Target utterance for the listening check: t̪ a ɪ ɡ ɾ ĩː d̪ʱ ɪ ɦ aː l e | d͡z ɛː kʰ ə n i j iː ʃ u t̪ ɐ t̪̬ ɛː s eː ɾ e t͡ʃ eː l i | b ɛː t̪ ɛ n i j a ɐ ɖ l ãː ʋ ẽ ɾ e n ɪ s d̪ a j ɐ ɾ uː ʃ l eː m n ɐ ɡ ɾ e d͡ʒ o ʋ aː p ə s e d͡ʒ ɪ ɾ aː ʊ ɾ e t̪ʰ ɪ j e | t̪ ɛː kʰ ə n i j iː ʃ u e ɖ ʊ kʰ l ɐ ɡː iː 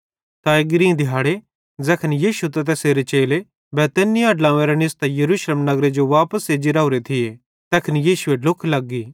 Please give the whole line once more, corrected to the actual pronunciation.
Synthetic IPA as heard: t̪ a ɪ ɡ ɾ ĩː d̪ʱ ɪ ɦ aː ɽ e | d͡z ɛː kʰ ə n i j iː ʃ u t̪ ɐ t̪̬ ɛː s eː ɾ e t͡ʃ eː l e | b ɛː t̪ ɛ n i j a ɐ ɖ l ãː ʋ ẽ ɾ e n ɪ s t̪ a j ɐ ɾ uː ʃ l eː m n ɐ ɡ ɾ e d͡ʒ o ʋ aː p ə s e d͡ʒ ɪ ɾ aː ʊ ɾ e t̪ʰ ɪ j e | t̪ ɛː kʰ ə n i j iː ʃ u e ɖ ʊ kʰ l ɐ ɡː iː